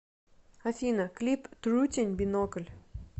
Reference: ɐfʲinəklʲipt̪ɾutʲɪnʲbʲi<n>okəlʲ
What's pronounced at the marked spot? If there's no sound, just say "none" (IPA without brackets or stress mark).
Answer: n